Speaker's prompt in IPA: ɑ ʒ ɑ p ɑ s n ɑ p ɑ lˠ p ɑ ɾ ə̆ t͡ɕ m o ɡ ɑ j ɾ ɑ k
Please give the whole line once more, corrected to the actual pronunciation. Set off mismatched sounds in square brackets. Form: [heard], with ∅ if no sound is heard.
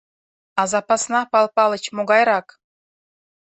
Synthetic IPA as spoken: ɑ [z] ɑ p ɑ s n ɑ p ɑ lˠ p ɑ [l] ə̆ t͡ɕ m o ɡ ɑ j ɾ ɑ k